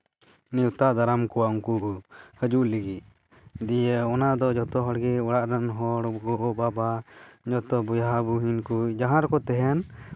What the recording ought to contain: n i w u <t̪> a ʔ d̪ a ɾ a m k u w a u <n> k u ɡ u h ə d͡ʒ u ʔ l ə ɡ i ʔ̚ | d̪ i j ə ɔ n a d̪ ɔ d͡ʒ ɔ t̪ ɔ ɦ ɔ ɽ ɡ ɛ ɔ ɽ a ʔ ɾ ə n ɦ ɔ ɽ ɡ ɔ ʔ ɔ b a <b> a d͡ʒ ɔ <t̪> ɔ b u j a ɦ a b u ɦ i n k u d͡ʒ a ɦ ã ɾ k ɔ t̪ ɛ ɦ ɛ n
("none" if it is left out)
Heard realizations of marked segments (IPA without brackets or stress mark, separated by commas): t̪, ŋ, b, t̪